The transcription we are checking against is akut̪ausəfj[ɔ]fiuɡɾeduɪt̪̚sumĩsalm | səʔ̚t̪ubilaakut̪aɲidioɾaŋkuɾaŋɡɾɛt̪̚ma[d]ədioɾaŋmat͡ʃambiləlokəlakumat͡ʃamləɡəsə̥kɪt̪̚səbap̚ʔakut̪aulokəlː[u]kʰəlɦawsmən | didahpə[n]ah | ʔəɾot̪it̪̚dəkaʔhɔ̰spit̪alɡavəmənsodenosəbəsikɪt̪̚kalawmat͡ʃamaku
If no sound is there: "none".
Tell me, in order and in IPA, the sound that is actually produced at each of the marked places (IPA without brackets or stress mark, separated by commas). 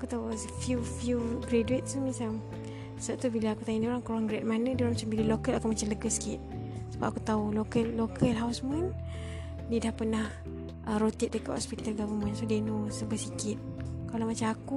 u, n, o, n